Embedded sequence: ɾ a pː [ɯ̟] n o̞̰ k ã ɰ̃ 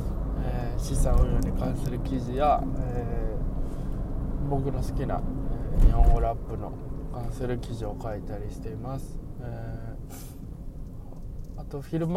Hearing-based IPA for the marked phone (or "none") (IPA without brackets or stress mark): ɯ̟